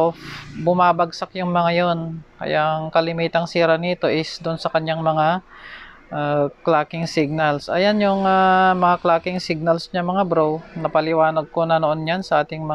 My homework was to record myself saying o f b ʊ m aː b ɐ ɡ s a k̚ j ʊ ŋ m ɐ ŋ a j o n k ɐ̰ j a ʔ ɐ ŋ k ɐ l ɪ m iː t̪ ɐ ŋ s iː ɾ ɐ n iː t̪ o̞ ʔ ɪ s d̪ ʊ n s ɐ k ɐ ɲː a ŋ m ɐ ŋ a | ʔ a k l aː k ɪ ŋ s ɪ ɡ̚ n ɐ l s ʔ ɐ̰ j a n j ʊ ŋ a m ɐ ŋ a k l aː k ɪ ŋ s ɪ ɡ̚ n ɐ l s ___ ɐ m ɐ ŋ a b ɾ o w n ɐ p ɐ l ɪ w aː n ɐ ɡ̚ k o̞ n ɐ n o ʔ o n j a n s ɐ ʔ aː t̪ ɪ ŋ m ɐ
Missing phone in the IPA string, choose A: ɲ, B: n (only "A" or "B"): A